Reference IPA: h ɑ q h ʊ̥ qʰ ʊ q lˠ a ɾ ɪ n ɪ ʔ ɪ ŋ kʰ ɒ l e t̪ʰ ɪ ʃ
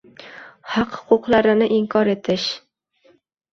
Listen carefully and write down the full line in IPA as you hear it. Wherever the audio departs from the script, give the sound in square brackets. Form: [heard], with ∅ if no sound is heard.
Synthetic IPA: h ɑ q h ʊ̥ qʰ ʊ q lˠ a ɾ ɪ n ɪ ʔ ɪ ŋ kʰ ɒ [ɾ] e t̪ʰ ɪ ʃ